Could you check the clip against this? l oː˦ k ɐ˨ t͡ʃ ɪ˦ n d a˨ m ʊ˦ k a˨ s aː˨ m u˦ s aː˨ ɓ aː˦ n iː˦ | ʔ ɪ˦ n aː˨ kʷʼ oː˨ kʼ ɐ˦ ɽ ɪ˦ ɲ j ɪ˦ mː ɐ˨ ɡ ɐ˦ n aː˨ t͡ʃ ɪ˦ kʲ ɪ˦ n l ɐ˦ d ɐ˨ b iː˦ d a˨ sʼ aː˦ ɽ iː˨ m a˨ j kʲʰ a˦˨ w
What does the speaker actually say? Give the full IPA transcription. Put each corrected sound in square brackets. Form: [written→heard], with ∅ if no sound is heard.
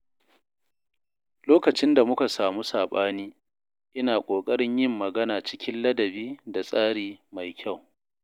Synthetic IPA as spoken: l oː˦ k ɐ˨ t͡ʃ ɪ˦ n d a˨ m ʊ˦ k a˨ s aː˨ m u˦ s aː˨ ɓ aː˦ n iː˦ | ʔ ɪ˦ n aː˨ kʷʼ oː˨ kʼ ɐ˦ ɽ ɪ˦ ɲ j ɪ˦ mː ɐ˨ ɡ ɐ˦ n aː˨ t͡ʃ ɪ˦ kʲ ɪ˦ n l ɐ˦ d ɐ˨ b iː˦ d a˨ sʼ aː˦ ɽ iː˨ m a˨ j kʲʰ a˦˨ w